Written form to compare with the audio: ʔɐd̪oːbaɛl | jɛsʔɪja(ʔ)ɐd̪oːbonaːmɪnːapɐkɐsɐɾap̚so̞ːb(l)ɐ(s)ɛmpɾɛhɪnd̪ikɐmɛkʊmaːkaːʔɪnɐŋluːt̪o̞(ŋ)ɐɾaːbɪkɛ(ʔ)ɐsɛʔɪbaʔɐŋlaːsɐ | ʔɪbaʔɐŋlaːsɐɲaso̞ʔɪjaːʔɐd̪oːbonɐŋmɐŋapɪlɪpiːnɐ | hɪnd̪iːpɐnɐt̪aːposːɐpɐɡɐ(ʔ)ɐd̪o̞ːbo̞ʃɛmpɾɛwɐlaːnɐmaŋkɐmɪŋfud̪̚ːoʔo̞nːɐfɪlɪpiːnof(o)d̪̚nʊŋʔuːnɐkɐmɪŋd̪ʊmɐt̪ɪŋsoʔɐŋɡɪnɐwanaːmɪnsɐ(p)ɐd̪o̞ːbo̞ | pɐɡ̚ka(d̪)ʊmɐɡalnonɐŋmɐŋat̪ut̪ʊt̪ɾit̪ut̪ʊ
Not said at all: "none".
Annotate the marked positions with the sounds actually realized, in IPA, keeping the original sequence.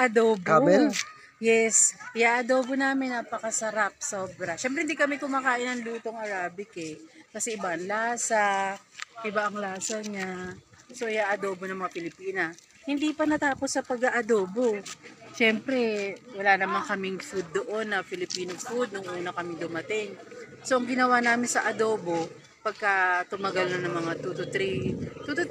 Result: ʔ, ɾ, ʃ, ŋ, k, ʔ, u, ʔ, t̪

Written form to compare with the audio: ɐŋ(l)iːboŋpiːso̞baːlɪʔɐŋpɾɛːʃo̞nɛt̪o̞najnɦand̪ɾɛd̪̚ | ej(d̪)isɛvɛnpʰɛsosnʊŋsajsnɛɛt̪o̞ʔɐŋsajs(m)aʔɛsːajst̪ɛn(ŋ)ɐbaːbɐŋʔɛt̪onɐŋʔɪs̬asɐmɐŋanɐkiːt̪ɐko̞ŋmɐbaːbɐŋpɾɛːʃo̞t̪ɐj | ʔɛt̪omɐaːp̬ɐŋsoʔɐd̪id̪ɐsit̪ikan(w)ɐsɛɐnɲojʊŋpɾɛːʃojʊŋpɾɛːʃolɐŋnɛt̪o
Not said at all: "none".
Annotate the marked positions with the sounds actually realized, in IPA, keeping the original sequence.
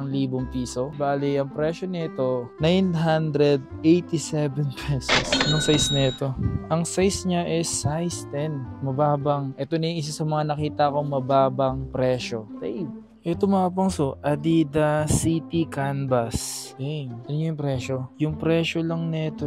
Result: l, t̪, ɲ, m, b

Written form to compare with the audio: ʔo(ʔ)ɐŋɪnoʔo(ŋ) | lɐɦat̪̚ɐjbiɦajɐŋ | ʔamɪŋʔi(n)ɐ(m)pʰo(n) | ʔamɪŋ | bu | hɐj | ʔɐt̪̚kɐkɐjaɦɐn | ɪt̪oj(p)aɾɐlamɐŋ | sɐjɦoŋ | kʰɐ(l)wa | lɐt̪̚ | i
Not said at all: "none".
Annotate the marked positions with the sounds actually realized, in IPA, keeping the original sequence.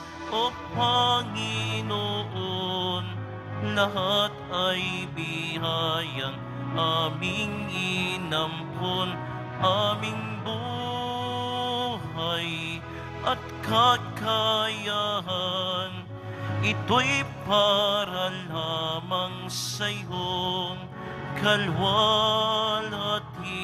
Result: p, n, n, m, n, p, l

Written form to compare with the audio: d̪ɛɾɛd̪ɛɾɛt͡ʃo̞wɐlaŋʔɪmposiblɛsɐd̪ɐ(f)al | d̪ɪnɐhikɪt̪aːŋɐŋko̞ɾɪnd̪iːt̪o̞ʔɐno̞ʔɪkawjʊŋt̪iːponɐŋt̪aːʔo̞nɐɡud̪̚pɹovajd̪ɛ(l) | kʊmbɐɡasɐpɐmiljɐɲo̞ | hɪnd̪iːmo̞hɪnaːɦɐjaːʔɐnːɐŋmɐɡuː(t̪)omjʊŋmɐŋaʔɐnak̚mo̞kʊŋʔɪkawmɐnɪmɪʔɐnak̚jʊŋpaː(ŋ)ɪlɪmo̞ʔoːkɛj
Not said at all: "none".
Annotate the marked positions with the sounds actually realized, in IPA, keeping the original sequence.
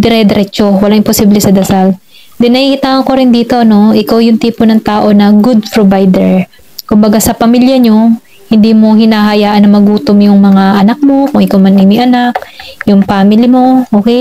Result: s, ɹ, t̪, m

